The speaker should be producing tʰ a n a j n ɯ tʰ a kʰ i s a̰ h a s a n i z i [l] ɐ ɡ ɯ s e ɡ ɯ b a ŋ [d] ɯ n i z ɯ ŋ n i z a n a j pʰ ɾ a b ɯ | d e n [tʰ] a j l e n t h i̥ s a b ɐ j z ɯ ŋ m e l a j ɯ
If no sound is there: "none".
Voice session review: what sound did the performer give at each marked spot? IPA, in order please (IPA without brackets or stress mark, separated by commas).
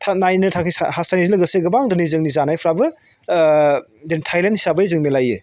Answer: l, d, tʰ